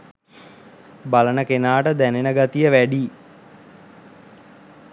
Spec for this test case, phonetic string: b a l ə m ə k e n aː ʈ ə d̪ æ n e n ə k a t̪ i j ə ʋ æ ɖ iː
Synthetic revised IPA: b a l ə n ə k e n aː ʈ ə d̪ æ n e n ə ɡ a t̪ i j ə ʋ æ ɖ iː